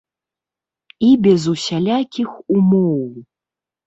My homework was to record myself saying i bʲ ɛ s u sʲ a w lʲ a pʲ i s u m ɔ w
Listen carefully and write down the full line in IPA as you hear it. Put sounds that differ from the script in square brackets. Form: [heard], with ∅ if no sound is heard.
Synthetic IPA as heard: i bʲ ɛ [z] u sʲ a [∅] lʲ a [kʲ] i [x] u m ɔ w